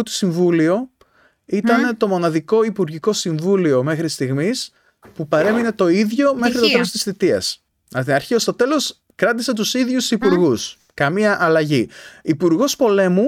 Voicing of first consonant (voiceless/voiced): voiceless